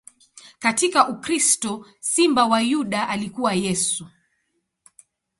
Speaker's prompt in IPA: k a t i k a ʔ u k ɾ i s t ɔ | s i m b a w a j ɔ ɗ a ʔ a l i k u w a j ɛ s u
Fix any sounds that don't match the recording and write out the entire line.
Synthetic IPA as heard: k a t i k a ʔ u k ɾ i s t ɔ | s i m b a w a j u ɗ a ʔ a l i k u w a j ɛ s u